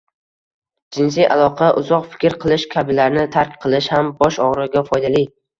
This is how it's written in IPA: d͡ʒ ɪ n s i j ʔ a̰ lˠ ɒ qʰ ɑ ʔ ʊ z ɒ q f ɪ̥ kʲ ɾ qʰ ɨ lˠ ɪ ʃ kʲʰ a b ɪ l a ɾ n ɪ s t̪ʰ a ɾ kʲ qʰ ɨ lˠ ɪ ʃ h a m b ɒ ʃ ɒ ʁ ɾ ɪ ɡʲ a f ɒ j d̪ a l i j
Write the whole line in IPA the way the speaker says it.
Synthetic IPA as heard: d͡ʒ ɪ n s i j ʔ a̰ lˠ ɒ qʰ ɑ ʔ ʊ z ɒ q f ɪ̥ kʲ ɾ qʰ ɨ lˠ ɪ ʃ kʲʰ a b ɪ l a ɾ n ɪ t̪ʰ a ɾ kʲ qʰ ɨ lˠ ɪ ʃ h a m b ɒ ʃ ɒ ʁ ɾ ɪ ɡʲ a f ɒ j d̪ a l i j